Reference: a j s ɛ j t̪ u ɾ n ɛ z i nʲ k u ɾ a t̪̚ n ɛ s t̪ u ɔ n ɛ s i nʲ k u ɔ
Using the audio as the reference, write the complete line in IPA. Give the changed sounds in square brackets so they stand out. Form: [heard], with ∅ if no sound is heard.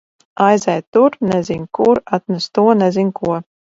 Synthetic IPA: a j [z] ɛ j t̪ u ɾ n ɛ z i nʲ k u ɾ a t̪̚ n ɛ s t̪ u ɔ n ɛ [z] i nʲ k u ɔ